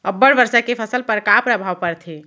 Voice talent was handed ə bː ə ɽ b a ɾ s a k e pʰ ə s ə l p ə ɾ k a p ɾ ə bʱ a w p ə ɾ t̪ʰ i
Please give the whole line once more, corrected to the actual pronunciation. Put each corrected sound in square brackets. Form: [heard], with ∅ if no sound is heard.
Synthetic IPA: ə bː ə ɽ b [ə] ɾ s a k e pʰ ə s ə l p ə ɾ k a p ɾ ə bʱ a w p ə ɾ t̪ʰ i